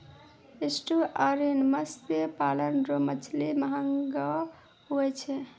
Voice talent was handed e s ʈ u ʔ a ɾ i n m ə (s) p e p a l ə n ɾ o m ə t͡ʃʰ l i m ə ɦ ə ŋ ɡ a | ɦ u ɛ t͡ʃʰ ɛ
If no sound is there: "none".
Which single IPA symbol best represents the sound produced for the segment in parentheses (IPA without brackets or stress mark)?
s